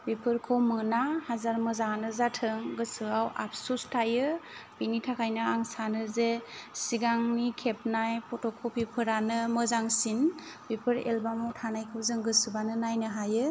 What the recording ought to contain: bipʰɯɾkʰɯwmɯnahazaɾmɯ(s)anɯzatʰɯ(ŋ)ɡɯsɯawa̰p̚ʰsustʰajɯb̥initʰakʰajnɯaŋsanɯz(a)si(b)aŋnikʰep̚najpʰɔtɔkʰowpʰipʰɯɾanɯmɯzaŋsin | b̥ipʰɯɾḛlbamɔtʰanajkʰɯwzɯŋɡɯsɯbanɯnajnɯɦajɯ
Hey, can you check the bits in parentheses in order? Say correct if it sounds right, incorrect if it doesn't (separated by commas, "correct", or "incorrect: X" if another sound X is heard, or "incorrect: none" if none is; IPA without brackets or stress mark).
incorrect: z, correct, incorrect: e, incorrect: ɡ